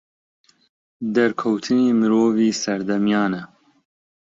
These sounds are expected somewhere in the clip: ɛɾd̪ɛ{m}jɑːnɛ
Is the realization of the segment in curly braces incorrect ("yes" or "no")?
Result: no